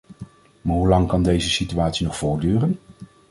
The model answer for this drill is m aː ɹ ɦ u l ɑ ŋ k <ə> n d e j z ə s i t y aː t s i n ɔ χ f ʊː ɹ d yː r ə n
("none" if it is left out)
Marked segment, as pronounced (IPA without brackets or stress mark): ɑ